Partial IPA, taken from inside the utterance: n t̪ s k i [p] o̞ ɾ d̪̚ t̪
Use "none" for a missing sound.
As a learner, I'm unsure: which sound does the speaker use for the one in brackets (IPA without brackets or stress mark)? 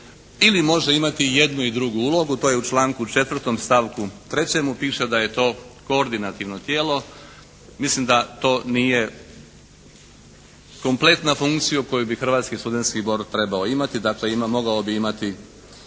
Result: b